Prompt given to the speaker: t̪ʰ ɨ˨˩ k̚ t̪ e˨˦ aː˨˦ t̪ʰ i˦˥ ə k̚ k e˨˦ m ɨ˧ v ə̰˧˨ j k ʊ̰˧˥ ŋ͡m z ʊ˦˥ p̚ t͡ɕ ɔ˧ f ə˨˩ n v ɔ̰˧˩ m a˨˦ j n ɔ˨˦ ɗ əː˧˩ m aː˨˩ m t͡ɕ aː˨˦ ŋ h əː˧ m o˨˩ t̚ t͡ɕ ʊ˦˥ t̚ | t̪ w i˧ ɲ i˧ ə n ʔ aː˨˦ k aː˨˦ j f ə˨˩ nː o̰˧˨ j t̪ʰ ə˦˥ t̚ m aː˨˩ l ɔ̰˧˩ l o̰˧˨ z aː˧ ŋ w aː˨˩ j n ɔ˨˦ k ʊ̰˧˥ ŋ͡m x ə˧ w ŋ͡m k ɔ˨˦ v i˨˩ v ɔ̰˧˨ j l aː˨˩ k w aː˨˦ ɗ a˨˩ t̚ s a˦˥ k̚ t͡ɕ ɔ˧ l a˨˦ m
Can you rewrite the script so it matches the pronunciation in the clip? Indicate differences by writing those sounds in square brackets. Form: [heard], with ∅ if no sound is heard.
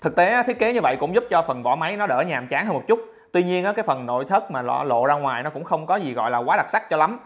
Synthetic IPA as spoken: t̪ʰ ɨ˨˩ k̚ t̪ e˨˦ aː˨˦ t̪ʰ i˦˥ ə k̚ k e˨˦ [ɲ] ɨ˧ v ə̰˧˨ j k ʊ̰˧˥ ŋ͡m z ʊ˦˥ p̚ t͡ɕ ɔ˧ f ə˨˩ n v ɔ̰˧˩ m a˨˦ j n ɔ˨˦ ɗ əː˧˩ [ɲ] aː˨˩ m t͡ɕ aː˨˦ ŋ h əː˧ m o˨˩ t̚ t͡ɕ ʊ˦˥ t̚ | t̪ w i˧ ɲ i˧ ə n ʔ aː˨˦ k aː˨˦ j f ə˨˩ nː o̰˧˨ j t̪ʰ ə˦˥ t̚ m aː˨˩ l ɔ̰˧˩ l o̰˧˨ z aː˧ ŋ w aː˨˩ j n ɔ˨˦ k ʊ̰˧˥ ŋ͡m x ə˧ w ŋ͡m k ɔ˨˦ [z] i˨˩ [ɣ] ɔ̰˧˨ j l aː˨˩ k w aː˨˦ ɗ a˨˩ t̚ s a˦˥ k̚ t͡ɕ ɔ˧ l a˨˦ m